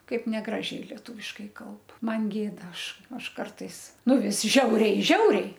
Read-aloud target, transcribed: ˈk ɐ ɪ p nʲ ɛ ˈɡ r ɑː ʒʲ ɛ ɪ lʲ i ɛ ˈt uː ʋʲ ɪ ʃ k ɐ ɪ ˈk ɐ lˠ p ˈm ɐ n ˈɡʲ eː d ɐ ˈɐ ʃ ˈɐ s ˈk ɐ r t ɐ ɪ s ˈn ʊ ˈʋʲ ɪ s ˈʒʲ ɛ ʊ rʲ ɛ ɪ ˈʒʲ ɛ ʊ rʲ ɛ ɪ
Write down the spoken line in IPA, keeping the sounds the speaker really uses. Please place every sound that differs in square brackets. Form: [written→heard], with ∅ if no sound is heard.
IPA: ˈk ɐ ɪ p nʲ ɛ ˈɡ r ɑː ʒʲ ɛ ɪ lʲ i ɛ ˈt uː ʋʲ ɪ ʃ k ɐ ɪ ˈk ɐ lˠ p ˈm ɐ n ˈɡʲ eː d ɐ ˈɐ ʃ ˈɐ [s→ʃ] ˈk ɐ r t ɐ ɪ s ˈn ʊ ˈʋʲ ɪ s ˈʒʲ ɛ ʊ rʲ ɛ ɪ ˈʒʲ ɛ ʊ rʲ ɛ ɪ